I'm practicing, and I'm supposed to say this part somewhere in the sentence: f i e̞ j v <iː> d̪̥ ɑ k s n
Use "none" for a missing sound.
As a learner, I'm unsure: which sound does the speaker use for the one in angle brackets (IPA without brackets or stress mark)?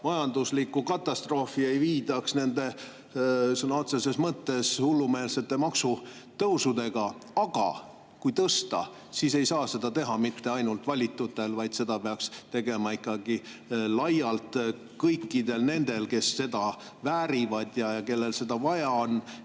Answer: iː